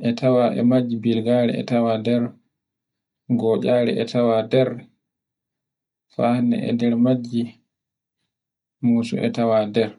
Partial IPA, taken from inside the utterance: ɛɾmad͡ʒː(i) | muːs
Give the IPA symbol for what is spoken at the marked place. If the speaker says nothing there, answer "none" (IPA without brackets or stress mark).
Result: i